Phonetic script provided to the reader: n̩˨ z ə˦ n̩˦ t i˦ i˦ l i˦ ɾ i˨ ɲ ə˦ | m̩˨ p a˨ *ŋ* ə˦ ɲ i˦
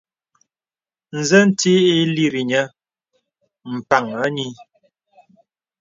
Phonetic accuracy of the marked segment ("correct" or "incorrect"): correct